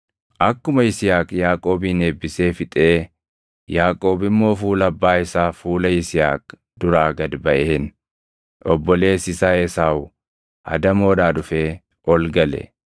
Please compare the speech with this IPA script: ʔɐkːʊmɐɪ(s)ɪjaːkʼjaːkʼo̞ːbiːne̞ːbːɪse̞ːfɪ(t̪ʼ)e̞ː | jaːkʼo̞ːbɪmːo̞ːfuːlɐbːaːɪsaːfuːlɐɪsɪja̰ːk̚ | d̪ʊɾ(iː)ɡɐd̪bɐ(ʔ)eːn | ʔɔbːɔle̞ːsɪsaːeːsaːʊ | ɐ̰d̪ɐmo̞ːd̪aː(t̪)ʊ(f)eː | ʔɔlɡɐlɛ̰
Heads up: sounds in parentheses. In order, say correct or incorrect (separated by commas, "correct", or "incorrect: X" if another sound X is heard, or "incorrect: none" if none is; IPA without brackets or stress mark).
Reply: correct, correct, incorrect: aː, correct, incorrect: d̪, correct